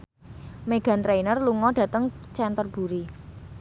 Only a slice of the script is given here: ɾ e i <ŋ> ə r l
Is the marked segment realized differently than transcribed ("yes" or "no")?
yes